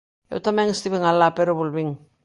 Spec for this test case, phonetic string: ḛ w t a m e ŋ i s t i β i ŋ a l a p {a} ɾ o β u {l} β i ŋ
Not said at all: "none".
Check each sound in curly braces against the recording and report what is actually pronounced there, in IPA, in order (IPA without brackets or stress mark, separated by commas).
e, l